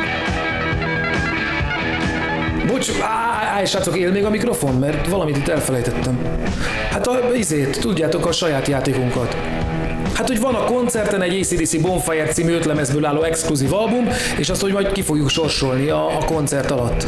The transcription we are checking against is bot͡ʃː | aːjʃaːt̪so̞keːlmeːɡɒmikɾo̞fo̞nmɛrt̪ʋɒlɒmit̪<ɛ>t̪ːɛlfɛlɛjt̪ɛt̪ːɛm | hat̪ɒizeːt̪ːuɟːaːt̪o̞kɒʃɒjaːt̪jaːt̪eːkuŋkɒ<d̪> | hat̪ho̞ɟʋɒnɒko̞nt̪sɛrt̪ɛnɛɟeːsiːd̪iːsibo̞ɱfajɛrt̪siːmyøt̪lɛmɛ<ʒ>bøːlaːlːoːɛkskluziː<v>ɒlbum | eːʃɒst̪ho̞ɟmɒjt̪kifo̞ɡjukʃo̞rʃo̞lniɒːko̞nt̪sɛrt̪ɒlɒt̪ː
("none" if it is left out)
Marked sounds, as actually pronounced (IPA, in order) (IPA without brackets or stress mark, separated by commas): i, t̪, z, v